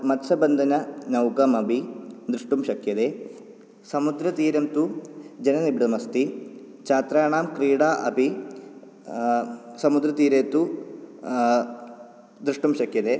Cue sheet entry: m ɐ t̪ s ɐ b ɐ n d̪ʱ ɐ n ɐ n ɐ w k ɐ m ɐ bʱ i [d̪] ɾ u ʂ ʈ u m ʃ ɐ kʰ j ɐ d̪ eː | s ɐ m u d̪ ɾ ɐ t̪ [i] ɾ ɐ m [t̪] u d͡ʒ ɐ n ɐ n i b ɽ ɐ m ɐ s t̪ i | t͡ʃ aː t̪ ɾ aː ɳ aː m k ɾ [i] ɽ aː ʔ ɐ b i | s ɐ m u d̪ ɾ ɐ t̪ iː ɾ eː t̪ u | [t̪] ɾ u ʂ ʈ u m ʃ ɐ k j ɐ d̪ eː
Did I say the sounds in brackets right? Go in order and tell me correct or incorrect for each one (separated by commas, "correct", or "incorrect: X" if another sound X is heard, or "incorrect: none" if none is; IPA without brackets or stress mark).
correct, incorrect: iː, correct, incorrect: iː, incorrect: d̪